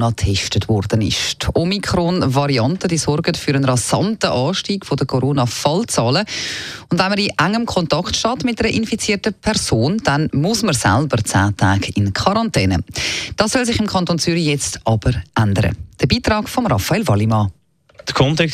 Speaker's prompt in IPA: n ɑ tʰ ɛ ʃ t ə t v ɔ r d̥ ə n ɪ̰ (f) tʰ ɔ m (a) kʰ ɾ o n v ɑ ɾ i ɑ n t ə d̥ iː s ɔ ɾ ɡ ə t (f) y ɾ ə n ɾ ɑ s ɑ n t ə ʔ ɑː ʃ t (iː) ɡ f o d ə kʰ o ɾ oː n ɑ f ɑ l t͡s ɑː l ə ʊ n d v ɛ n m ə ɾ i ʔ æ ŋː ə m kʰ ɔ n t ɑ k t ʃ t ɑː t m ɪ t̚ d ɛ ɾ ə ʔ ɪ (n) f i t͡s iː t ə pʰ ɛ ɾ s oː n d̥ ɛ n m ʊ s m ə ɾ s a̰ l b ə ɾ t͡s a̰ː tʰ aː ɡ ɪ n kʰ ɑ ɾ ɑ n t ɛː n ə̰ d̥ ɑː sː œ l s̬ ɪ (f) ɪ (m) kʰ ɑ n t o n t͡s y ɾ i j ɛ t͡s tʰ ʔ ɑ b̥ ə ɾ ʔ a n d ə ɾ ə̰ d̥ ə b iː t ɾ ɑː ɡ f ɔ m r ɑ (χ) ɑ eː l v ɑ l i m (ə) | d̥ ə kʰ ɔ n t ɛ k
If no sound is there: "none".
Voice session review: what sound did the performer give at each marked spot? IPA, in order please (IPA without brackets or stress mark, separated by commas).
ʃ, i, f, iː, n, χ, m, f, ɑ